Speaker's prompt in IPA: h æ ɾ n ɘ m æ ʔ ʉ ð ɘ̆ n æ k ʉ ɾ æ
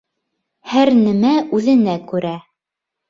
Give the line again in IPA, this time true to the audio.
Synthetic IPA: h æ ɾ n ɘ m æ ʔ ʉ ð ɘ̆ n æ k ʉ ɾ æ